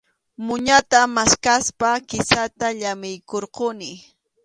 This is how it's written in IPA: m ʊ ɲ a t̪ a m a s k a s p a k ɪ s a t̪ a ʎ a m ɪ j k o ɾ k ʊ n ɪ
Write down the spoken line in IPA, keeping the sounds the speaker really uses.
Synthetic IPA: m ʊ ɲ a t̪ a m a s k a s p a k ɪ s a t̪ a ʎ a m ɪ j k o ɾ q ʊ n ɪ